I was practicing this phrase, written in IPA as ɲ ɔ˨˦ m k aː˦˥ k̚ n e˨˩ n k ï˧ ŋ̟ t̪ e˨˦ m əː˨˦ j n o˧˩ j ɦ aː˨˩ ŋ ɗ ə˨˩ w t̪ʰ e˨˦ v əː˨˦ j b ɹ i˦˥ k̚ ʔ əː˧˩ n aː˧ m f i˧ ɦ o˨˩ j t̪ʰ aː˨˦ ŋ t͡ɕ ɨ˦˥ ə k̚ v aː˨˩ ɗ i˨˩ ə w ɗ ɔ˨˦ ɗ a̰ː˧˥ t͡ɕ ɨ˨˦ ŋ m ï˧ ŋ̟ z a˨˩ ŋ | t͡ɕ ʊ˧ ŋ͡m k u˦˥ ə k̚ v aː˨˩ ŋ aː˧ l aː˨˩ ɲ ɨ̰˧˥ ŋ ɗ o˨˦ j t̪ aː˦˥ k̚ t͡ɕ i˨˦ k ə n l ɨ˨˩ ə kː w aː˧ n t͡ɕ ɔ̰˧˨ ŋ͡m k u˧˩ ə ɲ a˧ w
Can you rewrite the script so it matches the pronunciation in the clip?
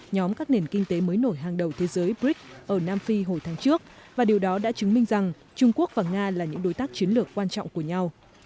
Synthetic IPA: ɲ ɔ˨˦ m k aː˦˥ k̚ n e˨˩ n k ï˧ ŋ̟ t̪ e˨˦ m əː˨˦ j n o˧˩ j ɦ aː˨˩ ŋ ɗ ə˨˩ w t̪ʰ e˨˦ z əː˨˦ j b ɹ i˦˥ k̚ ʔ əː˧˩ n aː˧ m f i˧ ɦ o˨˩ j t̪ʰ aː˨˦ ŋ t͡ɕ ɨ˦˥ ə k̚ v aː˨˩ ɗ i˨˩ ə w ɗ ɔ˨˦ ɗ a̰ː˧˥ t͡ɕ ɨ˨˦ ŋ m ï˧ ŋ̟ z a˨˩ ŋ | t͡ɕ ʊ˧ ŋ͡m k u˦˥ ə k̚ v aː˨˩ ŋ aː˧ l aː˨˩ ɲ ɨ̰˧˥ ŋ ɗ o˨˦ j t̪ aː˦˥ k̚ t͡ɕ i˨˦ ə n l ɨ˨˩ ə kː w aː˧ n t͡ɕ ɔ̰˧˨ ŋ͡m k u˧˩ ə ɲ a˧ w